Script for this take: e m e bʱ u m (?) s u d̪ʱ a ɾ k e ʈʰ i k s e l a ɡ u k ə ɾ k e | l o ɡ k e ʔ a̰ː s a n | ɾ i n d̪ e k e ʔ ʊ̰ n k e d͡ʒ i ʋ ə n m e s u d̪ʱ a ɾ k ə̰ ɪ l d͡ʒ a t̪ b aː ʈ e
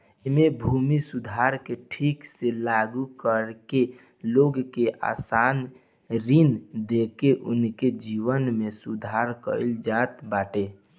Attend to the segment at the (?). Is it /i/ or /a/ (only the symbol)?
i